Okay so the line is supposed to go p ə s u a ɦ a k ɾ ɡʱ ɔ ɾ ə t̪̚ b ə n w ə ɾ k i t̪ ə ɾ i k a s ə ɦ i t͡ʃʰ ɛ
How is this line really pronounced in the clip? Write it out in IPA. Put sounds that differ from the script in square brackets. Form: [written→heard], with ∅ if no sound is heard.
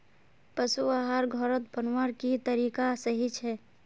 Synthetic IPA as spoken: p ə s u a ɦ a [k→∅] ɾ ɡʱ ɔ ɾ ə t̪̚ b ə n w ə ɾ k i t̪ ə ɾ i k a s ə ɦ i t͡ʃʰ ɛ